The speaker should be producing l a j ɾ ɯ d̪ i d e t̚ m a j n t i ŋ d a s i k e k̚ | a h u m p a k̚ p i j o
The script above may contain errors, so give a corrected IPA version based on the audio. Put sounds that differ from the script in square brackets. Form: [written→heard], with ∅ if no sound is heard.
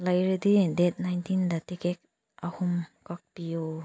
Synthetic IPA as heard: l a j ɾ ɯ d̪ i d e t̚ [m→n] a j n t i [ŋ→n] d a [s→t] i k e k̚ | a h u m [p→k] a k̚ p i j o